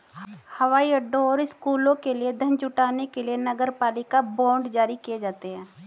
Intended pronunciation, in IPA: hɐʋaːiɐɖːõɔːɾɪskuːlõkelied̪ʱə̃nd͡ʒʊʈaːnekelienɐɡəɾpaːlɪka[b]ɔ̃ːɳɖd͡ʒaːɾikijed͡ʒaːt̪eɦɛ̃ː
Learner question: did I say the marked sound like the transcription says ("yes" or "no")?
yes